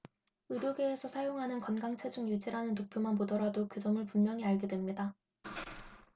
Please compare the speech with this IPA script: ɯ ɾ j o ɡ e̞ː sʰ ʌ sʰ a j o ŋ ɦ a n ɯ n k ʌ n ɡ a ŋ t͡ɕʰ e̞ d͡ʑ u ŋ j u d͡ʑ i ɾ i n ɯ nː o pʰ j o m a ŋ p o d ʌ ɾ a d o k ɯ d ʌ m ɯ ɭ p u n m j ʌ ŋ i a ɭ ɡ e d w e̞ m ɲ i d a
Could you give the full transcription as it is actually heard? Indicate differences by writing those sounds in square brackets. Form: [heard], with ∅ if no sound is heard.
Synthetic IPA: ɯ ɾ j o ɡ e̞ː sʰ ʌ sʰ a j o ŋ ɦ a n ɯ n k ʌ n ɡ a ŋ t͡ɕʰ e̞ d͡ʑ u ŋ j u d͡ʑ i ɾ [a] n ɯ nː o pʰ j o m a [n] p o d ʌ ɾ a d o k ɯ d ʌ m ɯ ɭ p u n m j ʌ ŋ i a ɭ ɡ e d w e̞ m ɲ i d a